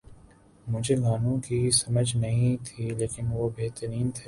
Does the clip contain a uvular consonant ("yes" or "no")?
no